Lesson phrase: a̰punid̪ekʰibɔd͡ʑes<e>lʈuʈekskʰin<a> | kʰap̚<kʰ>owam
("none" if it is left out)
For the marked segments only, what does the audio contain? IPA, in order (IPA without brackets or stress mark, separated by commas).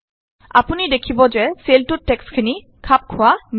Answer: e, i, kʰ